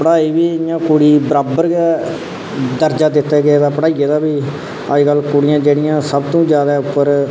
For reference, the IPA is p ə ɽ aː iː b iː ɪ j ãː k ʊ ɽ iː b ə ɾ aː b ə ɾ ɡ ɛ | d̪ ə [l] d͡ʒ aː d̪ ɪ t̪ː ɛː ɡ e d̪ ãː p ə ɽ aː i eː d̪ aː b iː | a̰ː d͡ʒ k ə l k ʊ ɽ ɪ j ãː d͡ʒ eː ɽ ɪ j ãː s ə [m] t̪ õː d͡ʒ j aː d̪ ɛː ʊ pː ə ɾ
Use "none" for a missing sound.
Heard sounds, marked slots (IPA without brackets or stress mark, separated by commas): ɾ, b